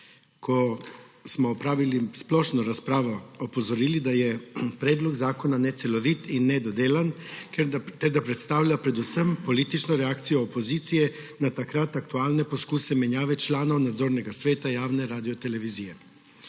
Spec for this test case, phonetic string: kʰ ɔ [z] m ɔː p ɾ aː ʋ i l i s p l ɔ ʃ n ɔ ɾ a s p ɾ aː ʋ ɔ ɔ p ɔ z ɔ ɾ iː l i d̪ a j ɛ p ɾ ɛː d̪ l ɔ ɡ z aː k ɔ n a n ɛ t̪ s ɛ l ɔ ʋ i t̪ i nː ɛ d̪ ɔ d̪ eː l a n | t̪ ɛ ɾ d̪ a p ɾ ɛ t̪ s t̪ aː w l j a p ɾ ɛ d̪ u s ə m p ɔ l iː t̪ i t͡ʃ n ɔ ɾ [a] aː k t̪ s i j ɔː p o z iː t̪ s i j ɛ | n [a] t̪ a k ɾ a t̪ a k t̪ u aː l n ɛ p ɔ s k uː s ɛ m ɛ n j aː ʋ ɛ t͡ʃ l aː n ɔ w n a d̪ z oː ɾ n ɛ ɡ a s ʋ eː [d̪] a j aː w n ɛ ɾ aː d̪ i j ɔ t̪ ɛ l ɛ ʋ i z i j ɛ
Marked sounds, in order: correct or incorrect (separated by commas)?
incorrect, incorrect, correct, incorrect